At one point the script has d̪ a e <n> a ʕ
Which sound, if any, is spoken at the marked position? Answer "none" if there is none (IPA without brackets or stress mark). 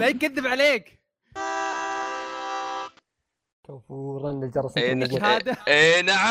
n